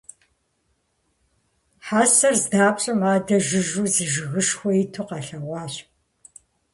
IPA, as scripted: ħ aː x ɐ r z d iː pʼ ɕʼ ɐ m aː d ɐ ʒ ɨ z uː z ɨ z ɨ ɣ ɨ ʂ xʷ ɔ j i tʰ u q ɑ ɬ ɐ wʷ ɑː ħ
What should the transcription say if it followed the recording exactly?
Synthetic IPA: ħ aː s ɐ r z d aː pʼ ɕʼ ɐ m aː d ɐ ʒ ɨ ʒ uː z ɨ ʒ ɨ ɣ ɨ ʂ xʷ ɔ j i tʰ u q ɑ ɬ ɐ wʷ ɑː ɕ

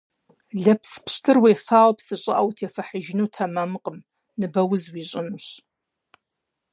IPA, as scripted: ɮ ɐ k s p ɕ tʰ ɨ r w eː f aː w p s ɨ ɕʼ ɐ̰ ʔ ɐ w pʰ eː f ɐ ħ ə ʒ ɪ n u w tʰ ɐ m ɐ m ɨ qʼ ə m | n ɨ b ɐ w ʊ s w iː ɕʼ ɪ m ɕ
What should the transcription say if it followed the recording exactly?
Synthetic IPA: ɮ ɐ p s p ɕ tʰ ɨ r w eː f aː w p s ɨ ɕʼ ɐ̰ ʔ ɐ w tʰ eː f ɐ ħ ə ʒ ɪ n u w tʰ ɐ m ɐ m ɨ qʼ ə m | n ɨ b ɐ w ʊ z w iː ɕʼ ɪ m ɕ

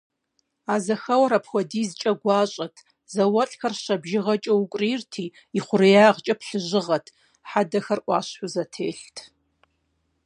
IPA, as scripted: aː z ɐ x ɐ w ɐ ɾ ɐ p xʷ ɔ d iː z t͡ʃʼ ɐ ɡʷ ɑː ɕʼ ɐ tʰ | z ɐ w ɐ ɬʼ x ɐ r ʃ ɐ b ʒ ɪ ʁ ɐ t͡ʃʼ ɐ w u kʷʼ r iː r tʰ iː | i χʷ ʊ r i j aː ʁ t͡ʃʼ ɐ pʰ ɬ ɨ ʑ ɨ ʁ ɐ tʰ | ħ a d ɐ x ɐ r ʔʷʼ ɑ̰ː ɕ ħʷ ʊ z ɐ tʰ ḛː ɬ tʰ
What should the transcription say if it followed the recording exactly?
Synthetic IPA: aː z ɐ x ɐ w ɐ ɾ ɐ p xʷ ɔ d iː z t͡ʃʼ ɐ ɡʷ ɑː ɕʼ ɐ tʰ | z ɐ w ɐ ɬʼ x ɐ r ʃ ɐ b ʒ ɪ ʁ ɐ t͡ʃʼ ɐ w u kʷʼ r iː r tʰ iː | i χʷ ʊ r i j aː ʁ t͡ʃʼ ɐ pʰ ɬ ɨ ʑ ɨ ʁ ɐ tʰ | ħ a d ɐ x ɐ r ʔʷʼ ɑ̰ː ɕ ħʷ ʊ z ɐ tʰ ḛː ɬ tʰ

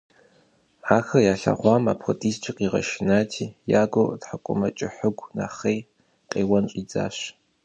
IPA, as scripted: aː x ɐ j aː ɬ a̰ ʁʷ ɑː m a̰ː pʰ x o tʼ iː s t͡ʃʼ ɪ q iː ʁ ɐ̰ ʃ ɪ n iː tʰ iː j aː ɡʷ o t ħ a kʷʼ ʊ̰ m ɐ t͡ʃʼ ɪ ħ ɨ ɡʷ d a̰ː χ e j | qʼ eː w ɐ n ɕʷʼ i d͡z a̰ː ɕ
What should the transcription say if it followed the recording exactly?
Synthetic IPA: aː x ɐ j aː ɬ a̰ ʁʷ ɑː m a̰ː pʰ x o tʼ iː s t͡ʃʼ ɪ q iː ʁ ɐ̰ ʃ ɪ n aː tʰ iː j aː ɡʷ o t ħ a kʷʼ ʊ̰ m ɐ t͡ʃʼ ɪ ħ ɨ ɡʷ n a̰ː χ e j | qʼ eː w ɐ n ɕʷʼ i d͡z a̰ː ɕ

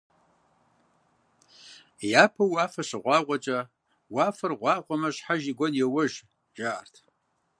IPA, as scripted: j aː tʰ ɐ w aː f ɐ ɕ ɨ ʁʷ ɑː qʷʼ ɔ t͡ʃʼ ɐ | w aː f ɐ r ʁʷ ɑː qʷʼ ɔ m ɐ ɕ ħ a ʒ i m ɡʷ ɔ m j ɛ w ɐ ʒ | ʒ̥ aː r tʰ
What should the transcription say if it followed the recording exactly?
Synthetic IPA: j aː pʰ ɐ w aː f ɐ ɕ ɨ ʁʷ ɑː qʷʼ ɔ t͡ʃʼ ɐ | w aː f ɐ r ʁʷ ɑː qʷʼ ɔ m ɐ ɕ ħ a ʒ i ɡʷ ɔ n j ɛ w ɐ ʒ | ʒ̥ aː r tʰ

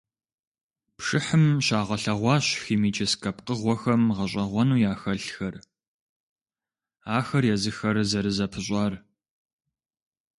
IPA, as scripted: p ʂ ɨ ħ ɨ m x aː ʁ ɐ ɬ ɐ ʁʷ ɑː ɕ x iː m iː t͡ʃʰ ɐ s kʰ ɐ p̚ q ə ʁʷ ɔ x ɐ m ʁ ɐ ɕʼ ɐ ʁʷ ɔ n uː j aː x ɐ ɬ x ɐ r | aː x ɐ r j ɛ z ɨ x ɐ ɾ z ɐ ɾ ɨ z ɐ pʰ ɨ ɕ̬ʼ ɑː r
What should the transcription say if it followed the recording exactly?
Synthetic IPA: p ʂ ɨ ħ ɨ m ɕ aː ʁ ɐ ɬ ɐ ʁʷ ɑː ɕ x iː m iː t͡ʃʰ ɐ s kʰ ɐ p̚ q ə ʁʷ ɔ x ɐ m ʁ ɐ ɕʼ ɐ ʁʷ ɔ n uː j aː x ɐ ɬ x ɐ r | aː x ɐ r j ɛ z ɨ x ɐ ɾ z ɐ ɾ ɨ z ɐ pʰ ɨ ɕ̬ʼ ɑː r

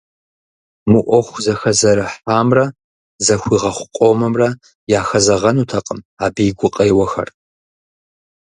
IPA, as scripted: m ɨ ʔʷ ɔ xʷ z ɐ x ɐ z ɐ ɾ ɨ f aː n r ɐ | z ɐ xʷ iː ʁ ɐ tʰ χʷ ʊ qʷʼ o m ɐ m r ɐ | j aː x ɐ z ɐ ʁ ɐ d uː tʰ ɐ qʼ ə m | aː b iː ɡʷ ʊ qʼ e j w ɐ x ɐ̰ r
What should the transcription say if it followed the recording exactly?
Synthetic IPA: m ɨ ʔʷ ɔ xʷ z ɐ x ɐ z ɐ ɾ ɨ ħ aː m r ɐ | z ɐ xʷ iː ʁ ɐ χʷ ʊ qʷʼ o m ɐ m r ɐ | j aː x ɐ z ɐ ʁ ɐ n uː tʰ ɐ qʼ ə m | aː b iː ɡʷ ʊ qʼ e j w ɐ x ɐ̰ r

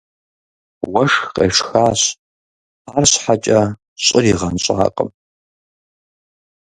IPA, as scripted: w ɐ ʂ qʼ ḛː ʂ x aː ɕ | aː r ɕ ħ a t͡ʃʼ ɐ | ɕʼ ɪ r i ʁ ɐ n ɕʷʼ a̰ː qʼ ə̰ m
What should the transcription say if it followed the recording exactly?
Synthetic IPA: w ɐ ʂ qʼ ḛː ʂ x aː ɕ | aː r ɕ ħ a t͡ʃʼ ɐ | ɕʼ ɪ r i ʁ ɐ n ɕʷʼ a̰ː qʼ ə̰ m

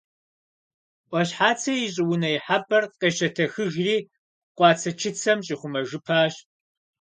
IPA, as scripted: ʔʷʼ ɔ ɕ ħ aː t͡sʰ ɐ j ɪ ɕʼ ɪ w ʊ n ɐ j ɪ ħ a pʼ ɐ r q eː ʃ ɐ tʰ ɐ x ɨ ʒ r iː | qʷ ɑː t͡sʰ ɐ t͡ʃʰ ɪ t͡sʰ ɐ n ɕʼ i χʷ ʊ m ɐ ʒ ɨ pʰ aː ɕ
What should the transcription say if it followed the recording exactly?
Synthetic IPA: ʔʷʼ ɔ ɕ ħ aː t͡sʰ ɐ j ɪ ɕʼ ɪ w ʊ n ɐ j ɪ ħ a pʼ ɐ r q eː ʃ ɐ tʰ ɐ x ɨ ʒ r iː | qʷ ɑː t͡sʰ ɐ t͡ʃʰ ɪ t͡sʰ ɐ m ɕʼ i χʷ ʊ m ɐ ʒ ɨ pʰ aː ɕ

